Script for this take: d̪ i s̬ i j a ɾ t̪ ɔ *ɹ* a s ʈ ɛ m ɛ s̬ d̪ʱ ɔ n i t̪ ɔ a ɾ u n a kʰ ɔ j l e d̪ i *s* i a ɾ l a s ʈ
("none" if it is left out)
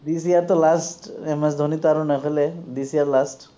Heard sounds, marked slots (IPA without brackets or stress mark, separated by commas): l, s